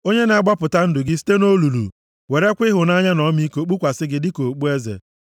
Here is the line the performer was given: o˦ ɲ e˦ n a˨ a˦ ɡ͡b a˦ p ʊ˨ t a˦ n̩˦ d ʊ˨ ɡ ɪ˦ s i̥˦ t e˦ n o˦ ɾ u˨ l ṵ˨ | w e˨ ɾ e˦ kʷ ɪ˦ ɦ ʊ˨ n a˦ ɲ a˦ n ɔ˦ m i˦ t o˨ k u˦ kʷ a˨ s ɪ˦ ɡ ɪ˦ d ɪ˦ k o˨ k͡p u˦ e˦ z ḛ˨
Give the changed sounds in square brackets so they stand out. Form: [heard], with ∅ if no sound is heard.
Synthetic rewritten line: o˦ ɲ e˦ n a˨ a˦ ɡ͡b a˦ p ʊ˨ t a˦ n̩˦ d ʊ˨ ɡ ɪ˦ s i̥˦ t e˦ n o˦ [l] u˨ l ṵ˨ | w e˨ ɾ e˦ kʷ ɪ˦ ɦ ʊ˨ n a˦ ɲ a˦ n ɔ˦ m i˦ [k] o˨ [k͡p] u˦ kʷ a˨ s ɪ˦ ɡ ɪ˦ d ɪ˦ k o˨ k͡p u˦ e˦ z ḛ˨